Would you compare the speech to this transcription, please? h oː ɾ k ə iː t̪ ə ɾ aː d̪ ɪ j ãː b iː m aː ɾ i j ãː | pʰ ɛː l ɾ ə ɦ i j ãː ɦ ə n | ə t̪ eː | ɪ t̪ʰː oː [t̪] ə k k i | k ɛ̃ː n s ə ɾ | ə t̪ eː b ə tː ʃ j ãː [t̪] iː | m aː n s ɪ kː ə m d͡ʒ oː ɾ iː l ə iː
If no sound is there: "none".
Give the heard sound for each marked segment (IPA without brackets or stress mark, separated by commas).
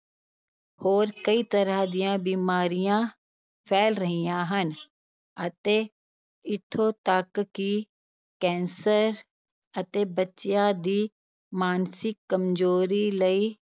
t̪, d̪